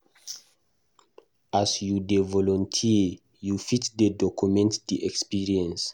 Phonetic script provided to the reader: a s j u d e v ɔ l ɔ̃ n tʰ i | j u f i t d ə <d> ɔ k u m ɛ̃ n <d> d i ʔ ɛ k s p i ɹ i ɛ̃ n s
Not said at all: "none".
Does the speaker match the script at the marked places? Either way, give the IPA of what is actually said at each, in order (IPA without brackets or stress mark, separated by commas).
d, t